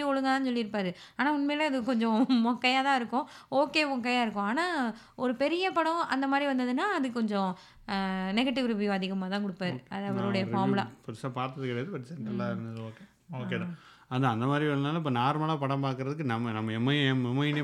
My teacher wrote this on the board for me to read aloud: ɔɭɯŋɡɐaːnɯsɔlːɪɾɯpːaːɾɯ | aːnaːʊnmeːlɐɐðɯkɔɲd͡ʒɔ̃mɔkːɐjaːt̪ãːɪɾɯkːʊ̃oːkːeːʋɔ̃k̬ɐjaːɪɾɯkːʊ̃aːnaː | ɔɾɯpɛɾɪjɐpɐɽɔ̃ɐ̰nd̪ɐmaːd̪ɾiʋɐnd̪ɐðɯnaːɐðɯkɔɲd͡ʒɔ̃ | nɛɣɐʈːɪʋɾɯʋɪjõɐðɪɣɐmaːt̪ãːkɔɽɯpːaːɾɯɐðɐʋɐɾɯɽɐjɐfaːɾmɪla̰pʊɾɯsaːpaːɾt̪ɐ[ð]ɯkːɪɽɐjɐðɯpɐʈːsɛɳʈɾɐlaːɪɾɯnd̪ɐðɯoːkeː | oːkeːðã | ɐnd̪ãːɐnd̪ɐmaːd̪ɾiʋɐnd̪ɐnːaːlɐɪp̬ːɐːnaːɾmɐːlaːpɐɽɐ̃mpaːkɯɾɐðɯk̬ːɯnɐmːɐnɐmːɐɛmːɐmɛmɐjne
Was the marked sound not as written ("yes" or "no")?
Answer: no